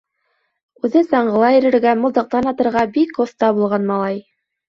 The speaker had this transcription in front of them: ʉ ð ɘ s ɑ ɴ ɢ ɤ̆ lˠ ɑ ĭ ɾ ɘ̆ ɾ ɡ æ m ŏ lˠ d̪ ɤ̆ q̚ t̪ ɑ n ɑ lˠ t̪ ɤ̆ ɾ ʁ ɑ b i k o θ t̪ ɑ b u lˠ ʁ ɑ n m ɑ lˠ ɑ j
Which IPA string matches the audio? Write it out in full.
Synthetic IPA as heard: ʉ ð ɘ s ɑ ɴ ɢ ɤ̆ lˠ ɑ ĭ ɾ ɘ̆ ɾ ɡ æ m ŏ lˠ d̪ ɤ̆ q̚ t̪ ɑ n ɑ t̪ ɤ̆ ɾ ʁ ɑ b i k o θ t̪ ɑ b u lˠ ʁ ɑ n m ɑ lˠ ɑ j